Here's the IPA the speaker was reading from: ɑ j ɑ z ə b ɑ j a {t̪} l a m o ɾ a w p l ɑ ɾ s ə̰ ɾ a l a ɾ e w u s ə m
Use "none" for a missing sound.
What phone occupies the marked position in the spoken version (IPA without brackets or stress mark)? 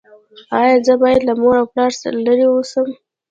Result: d̪